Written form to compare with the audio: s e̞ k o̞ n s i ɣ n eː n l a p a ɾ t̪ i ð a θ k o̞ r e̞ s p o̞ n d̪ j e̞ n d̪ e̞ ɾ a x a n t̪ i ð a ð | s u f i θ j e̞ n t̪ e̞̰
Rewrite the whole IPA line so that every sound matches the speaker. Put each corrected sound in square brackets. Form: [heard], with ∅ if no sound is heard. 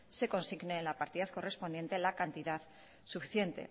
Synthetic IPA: s e̞ k o̞ n s i ɣ n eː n l a p a ɾ t̪ i ð a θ k o̞ r e̞ s p o̞ n d̪ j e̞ n [t̪] e̞ [l] a [k] a n t̪ i ð a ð | s u f i θ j e̞ n t̪ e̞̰